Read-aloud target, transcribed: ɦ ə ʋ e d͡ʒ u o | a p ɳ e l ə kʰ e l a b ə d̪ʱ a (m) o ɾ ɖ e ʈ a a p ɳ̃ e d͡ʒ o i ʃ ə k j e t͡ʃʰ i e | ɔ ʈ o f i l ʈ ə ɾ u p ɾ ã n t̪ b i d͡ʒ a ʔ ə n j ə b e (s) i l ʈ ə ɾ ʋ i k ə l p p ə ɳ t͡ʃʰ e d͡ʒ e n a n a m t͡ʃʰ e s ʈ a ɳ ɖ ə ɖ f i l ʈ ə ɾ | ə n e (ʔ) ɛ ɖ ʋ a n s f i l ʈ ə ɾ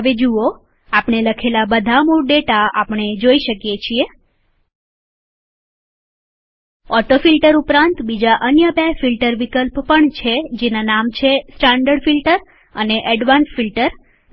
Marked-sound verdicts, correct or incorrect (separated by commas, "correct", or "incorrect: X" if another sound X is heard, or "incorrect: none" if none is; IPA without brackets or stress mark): correct, incorrect: f, correct